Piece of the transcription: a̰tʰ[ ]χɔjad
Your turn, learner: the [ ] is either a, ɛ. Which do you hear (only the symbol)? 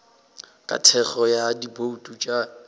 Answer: ɛ